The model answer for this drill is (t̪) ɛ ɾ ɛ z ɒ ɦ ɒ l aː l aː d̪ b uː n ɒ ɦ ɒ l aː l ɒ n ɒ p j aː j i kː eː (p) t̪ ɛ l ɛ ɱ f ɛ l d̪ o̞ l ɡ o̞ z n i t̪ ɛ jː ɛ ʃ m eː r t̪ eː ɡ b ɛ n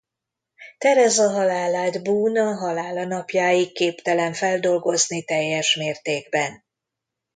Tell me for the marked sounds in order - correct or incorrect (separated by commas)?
correct, correct